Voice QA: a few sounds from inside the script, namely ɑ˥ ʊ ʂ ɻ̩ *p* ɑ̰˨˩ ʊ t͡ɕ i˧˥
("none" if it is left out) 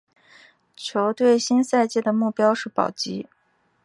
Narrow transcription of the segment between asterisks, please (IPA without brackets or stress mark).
p